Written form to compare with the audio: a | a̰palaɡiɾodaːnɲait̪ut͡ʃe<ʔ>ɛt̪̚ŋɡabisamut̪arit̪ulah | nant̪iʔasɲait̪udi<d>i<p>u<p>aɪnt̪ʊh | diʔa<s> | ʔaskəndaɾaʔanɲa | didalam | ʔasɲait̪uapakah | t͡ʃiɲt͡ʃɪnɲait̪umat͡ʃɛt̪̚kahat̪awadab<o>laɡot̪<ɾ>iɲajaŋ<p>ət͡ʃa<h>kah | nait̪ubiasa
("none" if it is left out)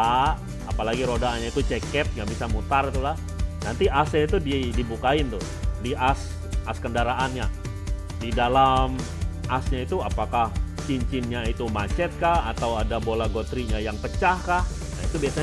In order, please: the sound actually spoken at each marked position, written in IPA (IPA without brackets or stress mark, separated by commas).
k, d, b, k, s, o, ɾ, p, h